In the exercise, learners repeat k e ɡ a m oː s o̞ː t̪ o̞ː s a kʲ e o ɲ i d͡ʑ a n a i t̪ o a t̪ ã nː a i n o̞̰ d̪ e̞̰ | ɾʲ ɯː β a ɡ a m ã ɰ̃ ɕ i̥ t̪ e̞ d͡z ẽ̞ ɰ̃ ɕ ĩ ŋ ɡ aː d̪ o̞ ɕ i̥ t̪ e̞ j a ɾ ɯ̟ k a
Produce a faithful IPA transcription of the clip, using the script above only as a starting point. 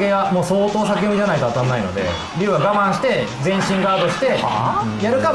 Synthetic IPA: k e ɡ a m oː s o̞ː t̪ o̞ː s a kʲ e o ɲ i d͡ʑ a n a i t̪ o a t̪ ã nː a i n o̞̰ d̪ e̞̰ | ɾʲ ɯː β a ɡ a m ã ɰ̃ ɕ i̥ t̪ e̞ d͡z ẽ̞ ɰ̃ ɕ ĩ ŋ ɡ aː d̪ o̞ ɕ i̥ t̪ e̞ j a ɾ ɯ̟ k a